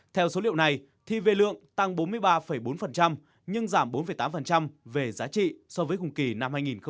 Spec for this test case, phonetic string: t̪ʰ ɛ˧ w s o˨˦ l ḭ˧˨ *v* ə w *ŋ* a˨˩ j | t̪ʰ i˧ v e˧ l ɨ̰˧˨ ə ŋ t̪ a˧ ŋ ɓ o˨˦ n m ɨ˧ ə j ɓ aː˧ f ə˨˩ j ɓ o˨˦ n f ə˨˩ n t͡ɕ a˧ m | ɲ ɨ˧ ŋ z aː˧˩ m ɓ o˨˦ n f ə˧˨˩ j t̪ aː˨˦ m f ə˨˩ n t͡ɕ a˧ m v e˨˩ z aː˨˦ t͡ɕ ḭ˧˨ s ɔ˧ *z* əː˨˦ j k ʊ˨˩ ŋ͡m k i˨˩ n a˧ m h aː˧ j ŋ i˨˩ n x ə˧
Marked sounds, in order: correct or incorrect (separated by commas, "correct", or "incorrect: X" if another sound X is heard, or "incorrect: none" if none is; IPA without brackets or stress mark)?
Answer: incorrect: none, incorrect: n, incorrect: v